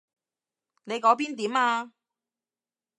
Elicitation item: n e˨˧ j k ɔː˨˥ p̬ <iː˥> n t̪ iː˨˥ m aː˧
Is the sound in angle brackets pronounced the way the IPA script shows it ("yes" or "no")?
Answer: yes